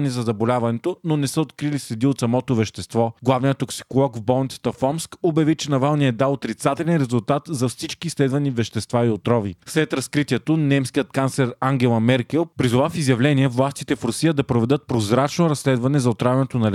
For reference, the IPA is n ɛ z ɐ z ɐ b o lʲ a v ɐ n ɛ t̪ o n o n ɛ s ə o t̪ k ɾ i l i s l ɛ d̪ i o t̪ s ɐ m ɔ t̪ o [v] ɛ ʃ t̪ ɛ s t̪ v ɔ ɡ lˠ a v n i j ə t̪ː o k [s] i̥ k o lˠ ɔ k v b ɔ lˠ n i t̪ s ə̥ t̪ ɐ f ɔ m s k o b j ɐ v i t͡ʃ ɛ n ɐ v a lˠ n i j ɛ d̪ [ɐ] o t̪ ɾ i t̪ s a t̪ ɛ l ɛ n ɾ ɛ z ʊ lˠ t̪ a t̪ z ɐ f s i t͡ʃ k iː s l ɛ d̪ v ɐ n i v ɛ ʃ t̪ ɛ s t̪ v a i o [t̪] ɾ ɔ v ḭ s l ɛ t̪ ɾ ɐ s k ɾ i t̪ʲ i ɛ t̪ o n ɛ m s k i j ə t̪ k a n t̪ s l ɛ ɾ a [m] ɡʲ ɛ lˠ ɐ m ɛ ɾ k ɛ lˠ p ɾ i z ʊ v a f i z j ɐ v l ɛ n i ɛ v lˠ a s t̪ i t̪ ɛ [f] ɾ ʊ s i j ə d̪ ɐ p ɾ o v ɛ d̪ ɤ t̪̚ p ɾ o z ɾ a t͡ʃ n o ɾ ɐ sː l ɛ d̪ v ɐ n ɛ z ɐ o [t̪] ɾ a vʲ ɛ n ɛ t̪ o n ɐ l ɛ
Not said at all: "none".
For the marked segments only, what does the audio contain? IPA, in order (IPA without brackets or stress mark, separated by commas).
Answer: v, s, a, t̪, ŋ, f, t̪